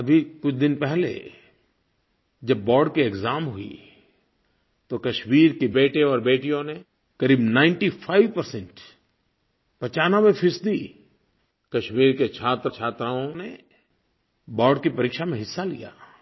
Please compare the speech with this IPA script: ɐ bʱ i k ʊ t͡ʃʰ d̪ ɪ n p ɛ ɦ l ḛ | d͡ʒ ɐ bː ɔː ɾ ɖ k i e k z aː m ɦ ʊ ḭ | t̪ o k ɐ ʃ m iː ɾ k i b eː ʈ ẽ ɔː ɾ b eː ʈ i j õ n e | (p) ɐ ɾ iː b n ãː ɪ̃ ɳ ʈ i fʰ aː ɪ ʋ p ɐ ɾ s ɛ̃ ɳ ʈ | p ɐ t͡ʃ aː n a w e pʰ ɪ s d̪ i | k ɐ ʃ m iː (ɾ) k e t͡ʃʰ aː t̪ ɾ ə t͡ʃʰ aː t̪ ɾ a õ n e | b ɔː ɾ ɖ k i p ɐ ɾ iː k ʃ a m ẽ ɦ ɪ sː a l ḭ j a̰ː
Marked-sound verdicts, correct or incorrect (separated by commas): incorrect, correct